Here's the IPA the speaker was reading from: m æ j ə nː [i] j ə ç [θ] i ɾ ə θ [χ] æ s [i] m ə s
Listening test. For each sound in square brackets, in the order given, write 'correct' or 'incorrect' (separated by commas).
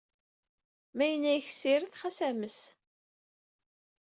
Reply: incorrect, incorrect, correct, incorrect